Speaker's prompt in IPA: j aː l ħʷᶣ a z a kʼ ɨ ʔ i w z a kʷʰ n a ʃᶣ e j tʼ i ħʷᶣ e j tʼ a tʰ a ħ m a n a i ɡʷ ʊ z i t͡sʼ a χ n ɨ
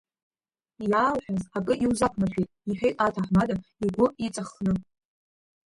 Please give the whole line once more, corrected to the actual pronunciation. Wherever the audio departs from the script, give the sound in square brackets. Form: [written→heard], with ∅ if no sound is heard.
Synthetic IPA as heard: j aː l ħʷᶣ a z a kʼ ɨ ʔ i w z a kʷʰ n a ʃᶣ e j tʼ i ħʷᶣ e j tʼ a tʰ a ħ m a [n→d] a i ɡʷ ʊ [z→∅] i t͡sʼ a χ n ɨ

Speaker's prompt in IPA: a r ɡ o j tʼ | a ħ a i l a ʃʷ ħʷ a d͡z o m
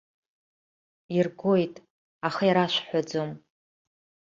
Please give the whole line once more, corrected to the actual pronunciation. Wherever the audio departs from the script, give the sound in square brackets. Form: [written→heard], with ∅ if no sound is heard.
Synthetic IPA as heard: [a→i] r ɡ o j tʼ | a [ħ→χ] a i [l→ɾ] a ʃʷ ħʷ a d͡z o m

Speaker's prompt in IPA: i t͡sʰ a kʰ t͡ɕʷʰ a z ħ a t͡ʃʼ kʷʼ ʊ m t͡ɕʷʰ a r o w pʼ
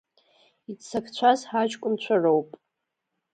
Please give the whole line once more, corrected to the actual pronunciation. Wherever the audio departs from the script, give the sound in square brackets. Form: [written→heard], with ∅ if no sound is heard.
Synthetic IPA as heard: i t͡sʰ a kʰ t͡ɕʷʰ a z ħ a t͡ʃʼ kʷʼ ʊ m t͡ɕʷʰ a r o w pʼ

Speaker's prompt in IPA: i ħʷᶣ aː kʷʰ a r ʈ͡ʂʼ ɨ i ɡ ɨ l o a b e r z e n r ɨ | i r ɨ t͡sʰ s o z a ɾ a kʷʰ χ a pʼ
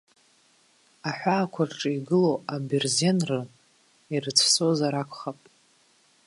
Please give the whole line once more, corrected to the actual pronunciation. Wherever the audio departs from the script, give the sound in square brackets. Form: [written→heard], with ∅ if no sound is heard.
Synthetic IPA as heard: [i→a] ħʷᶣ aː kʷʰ a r ʈ͡ʂʼ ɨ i ɡ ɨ l o a b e r z e n r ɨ | i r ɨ t͡sʰ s o z a ɾ a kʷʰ χ a pʼ

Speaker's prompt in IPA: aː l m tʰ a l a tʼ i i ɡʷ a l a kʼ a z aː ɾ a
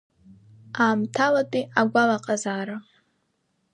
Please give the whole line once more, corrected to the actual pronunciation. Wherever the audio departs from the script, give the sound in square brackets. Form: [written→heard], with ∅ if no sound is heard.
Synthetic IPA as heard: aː [l→∅] m tʰ a l a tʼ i [i→a] ɡʷ a l a [kʼ→qʼ] a z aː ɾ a

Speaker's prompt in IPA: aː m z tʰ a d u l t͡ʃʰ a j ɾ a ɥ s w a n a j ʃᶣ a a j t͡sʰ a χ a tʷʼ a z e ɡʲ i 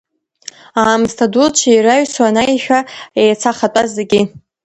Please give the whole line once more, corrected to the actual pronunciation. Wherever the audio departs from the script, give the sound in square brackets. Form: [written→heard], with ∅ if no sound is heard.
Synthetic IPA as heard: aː m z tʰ a d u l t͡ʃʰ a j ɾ a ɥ s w a n a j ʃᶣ a [a→e] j t͡sʰ a χ a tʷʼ a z e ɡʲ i

